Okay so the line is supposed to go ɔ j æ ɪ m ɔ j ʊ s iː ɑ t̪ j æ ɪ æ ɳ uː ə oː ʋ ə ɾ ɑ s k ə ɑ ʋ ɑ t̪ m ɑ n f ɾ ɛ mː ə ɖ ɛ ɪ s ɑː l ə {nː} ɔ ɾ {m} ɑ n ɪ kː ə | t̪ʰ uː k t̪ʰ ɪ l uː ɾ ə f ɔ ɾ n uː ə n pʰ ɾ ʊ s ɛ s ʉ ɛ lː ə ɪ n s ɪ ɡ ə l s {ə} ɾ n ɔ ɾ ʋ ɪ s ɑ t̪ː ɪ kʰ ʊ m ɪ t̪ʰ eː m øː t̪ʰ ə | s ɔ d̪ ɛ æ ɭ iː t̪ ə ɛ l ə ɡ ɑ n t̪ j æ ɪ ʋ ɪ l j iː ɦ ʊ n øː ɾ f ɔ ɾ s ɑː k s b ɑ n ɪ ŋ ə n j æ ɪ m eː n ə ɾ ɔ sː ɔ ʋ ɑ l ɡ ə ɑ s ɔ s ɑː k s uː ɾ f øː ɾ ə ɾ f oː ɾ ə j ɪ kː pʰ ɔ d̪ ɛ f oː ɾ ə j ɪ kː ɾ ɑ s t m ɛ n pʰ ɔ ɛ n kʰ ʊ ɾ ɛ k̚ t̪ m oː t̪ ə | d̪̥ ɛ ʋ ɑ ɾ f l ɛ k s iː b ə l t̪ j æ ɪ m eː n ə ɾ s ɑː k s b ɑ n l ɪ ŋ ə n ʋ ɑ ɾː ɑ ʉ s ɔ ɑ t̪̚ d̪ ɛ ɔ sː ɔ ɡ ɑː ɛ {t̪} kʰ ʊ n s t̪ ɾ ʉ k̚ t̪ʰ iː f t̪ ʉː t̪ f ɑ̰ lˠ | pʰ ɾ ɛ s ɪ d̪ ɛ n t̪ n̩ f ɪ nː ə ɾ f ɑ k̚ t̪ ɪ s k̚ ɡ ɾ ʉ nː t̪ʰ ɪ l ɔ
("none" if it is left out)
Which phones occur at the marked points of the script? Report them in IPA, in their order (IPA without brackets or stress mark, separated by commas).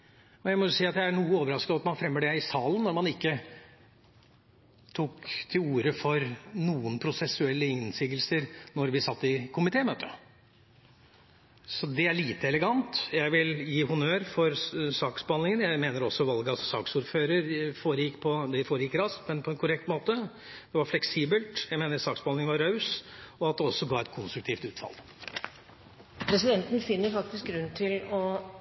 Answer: nː, m, ə, t̪